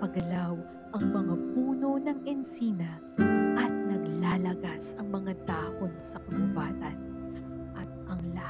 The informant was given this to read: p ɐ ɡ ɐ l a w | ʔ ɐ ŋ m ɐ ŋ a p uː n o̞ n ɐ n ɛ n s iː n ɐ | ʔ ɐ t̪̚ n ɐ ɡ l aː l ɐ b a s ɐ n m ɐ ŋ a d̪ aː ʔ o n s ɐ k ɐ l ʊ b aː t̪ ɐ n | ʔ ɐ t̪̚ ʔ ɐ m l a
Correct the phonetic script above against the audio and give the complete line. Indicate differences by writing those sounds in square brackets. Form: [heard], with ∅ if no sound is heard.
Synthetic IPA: p ɐ ɡ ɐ l a w | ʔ ɐ ŋ m ɐ ŋ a p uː n o̞ n ɐ [ŋ] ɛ n s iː n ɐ | ʔ ɐ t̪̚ n ɐ ɡ l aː l ɐ [ɡ] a s ɐ [ŋ] m ɐ ŋ a d̪ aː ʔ o n s ɐ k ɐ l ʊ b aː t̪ ɐ n | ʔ ɐ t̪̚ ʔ ɐ [ŋ] l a